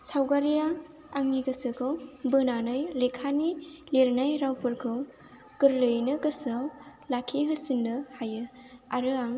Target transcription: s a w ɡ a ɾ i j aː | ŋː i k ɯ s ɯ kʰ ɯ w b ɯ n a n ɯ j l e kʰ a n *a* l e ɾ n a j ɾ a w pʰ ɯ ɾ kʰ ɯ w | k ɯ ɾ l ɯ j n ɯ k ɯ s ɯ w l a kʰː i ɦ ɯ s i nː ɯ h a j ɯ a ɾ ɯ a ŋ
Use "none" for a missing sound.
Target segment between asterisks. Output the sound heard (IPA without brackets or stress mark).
i